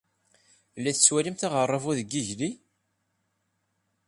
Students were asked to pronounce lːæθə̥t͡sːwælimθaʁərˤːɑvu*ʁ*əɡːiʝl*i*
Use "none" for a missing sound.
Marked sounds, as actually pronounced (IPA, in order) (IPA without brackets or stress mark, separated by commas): ð, i